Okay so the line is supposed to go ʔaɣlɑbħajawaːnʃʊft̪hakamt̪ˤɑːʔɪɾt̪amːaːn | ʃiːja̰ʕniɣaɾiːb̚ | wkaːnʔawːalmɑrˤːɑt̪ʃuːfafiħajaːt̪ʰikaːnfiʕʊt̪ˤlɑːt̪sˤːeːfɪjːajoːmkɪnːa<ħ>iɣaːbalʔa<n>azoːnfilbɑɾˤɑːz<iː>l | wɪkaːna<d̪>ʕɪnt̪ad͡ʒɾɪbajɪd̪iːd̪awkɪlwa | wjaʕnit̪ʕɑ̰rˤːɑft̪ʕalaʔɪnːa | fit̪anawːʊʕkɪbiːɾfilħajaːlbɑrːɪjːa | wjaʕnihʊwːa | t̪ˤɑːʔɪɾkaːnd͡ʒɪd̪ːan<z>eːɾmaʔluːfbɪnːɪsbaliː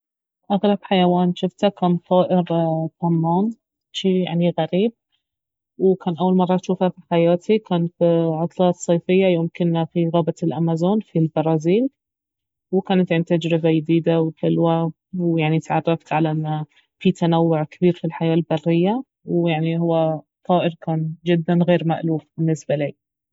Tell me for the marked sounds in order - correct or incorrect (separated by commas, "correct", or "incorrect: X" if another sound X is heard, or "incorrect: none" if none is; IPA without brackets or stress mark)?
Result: incorrect: f, incorrect: m, correct, incorrect: t̪, incorrect: ɣ